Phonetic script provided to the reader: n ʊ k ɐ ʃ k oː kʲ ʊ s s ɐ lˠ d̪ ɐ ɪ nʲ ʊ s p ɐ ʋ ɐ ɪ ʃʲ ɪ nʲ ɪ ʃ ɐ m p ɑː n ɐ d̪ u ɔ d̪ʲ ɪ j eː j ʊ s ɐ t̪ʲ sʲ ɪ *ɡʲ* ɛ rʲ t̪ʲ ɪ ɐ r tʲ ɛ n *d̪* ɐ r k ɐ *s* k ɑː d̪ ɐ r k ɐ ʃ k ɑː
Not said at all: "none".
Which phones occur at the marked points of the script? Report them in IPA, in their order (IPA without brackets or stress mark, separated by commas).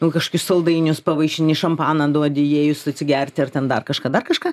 ɡʲ, d̪, ʃ